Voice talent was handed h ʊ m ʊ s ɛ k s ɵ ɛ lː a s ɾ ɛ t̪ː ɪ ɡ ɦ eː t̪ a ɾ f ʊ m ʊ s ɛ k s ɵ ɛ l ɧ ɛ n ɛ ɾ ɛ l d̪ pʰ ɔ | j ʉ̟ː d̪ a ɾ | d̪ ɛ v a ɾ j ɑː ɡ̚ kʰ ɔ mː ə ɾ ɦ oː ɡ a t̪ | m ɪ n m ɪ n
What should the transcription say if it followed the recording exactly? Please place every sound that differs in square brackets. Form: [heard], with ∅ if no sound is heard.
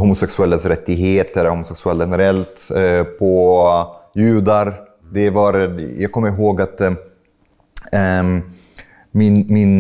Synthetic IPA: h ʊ m ʊ s ɛ k s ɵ ɛ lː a s ɾ ɛ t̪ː ɪ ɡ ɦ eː t̪ [ə] ɾ [h] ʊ m ʊ s ɛ k s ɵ ɛ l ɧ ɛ n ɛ ɾ ɛ l [t̪] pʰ ɔ | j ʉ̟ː d̪ a ɾ | d̪ ɛ v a ɾ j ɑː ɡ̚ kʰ ɔ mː ə ɾ ɦ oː ɡ a t̪ | m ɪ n m ɪ n